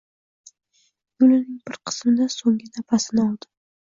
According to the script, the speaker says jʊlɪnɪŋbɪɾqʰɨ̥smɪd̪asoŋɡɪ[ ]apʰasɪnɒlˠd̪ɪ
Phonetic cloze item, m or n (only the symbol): n